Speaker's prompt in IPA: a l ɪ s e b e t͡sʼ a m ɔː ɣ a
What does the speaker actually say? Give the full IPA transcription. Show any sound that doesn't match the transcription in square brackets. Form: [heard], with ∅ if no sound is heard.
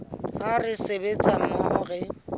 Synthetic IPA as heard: a [r] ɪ s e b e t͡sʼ a m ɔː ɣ [ɛ]